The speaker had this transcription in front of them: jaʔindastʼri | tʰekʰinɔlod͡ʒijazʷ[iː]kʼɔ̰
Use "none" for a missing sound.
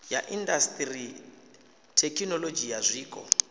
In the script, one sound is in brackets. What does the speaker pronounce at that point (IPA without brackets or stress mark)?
iː